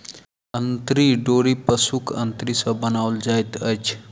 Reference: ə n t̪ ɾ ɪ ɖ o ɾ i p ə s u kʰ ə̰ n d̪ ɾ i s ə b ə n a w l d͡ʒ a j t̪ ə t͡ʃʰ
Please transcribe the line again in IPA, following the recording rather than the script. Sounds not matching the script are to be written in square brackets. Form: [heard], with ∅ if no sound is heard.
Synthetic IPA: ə n t̪ ɾ [i] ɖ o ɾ i p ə s u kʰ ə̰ n [t̪] ɾ i s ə b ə n a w l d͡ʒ a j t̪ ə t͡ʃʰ